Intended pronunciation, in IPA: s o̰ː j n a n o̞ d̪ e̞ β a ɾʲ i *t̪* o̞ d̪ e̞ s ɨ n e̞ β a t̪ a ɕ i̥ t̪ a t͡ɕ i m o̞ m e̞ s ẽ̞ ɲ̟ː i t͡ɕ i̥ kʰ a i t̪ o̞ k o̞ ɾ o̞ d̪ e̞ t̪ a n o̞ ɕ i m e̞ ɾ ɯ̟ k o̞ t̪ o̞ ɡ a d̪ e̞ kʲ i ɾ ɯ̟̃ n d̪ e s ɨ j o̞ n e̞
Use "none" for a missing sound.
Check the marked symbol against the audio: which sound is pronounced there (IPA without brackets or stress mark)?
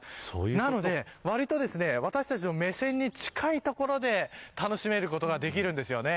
t̪